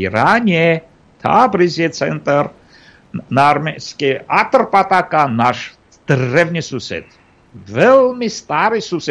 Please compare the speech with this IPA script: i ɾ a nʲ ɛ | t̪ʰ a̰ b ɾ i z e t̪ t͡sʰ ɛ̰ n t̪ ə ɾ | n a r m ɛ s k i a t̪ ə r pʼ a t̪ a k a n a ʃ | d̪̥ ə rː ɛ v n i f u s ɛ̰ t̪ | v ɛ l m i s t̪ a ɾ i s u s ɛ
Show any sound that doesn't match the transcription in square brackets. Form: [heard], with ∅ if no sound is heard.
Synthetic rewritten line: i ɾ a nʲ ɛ | t̪ʰ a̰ b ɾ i z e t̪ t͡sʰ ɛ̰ n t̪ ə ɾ | n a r m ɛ s k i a t̪ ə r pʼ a t̪ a k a n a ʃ | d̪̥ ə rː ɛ v n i [s] u s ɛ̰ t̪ | v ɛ l m i s t̪ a ɾ i s u s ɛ